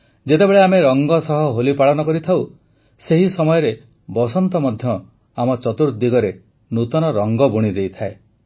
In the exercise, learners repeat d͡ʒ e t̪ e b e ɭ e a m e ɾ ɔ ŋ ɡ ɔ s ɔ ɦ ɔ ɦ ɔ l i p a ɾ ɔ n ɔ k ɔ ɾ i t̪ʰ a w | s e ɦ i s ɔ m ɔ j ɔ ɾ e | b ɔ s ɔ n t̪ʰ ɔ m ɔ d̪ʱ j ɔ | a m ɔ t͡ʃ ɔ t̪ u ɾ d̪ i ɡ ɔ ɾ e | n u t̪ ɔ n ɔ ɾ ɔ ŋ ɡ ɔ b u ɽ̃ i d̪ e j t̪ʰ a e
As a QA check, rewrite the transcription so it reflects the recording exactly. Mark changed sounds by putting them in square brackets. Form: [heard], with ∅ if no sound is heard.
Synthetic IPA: d͡ʒ e t̪ e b e ɭ e a m e ɾ ɔ ŋ ɡ ɔ s ɔ ɦ ɔ ɦ [o] l i p a [ɭ] ɔ n ɔ k ɔ ɾ i t̪ʰ a w | s e ɦ i s ɔ m ɔ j ɔ ɾ e | b ɔ s ɔ n [t̪] ɔ m ɔ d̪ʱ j ɔ | a m ɔ t͡ʃ ɔ t̪ u ɾ d̪ i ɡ ɔ ɾ e | n u t̪ ɔ n ɔ ɾ ɔ ŋ ɡ ɔ b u ɽ̃ i d̪ e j t̪ʰ a e